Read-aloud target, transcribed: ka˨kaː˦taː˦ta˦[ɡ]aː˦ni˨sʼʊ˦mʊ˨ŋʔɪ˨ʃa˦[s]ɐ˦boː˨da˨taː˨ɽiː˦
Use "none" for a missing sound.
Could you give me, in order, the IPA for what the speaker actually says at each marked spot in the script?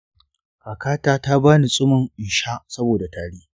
b, s

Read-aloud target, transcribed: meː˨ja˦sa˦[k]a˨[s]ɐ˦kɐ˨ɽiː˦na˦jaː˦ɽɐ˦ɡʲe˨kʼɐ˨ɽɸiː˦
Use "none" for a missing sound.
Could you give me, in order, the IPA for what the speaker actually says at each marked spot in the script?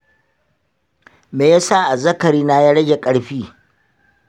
ʔ, z

